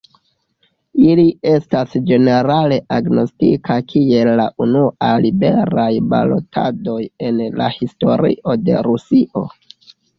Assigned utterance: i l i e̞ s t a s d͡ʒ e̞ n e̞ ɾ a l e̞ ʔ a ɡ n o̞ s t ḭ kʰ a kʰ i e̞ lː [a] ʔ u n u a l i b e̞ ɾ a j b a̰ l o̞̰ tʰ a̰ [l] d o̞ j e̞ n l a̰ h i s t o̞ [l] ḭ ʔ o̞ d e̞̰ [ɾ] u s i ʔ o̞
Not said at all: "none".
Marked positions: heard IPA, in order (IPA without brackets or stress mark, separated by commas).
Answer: a, none, ɾ, ɾ